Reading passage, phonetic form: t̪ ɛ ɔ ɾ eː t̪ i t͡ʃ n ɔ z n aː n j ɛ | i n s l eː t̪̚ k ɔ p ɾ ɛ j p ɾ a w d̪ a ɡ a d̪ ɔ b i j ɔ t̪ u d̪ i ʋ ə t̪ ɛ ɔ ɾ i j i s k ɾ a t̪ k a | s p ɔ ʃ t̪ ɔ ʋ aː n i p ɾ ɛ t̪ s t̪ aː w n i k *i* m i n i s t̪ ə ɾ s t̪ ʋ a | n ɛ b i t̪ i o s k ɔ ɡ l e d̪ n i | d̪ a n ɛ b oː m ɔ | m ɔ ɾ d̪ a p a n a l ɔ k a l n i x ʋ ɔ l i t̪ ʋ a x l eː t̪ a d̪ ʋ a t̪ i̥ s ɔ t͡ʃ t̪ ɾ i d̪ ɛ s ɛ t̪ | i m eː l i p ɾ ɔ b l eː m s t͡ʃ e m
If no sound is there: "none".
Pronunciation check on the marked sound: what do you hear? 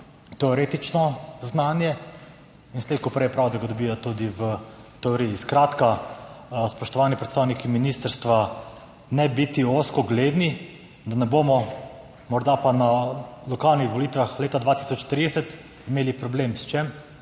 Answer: i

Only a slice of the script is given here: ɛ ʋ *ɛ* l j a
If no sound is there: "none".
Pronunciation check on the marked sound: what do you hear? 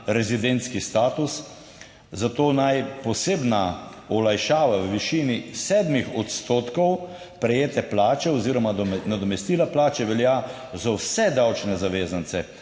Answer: ɛ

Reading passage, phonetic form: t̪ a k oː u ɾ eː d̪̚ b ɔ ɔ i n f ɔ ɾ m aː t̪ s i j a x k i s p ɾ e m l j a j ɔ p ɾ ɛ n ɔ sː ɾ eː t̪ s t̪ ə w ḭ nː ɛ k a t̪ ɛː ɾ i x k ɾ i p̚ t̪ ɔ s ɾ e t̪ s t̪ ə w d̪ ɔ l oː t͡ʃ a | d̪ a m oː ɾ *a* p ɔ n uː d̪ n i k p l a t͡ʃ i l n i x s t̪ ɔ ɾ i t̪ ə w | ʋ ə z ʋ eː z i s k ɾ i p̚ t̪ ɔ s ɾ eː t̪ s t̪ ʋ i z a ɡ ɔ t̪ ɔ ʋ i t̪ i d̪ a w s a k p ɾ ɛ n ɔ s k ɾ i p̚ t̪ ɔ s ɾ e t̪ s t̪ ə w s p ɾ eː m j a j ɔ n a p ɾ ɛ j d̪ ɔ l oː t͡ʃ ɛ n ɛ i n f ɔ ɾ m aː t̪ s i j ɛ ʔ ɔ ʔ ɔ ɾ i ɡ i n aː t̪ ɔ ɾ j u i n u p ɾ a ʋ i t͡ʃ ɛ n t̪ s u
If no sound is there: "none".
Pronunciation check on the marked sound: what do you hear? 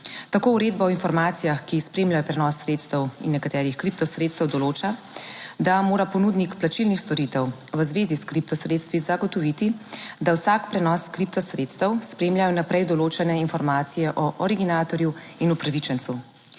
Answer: a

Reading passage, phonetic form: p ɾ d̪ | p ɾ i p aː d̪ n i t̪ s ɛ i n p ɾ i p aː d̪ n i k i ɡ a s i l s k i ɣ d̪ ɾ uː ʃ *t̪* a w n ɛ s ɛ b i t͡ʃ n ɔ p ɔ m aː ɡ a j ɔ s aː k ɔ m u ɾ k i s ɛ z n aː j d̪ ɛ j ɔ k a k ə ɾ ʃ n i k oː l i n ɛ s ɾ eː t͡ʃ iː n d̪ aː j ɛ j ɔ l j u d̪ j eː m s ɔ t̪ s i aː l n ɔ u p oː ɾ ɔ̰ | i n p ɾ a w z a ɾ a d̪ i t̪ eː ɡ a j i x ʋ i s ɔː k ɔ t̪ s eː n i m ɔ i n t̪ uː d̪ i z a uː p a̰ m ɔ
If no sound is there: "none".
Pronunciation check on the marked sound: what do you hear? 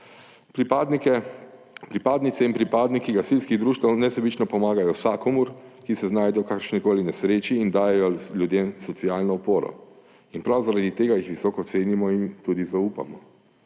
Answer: t̪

